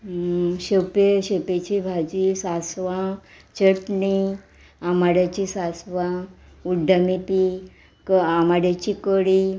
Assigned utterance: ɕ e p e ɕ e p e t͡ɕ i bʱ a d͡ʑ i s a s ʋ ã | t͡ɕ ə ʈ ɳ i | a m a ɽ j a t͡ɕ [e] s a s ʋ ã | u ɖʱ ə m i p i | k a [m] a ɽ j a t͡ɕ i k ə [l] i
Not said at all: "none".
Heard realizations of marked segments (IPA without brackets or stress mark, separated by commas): i, m, ɽ